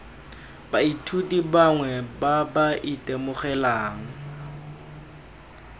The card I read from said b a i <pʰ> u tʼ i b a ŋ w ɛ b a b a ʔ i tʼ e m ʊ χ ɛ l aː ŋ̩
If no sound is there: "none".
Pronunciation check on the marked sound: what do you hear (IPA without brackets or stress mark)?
tʰ